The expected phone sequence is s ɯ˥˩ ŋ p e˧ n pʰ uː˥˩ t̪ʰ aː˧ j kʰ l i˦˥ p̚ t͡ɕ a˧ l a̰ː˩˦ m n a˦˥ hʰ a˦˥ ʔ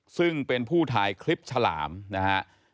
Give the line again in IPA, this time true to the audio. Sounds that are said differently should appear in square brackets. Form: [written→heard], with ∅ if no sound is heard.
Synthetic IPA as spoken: s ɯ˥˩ ŋ p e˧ n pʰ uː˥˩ t̪ʰ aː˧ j kʰ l i˦˥ p̚ [t͡ɕ→t͡ɕʰ] a˧ l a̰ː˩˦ m n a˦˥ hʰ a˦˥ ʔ